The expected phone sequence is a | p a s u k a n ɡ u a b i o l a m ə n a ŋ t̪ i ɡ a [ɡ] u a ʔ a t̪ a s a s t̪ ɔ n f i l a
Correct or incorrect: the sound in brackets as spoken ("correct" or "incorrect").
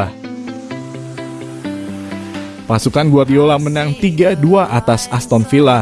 incorrect